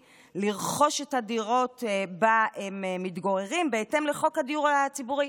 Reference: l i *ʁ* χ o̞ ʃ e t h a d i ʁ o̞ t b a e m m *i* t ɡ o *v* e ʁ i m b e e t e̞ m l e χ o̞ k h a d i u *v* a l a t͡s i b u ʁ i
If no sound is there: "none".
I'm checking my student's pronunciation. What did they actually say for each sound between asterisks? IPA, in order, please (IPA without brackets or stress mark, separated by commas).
ʁ, i, ʁ, ʁ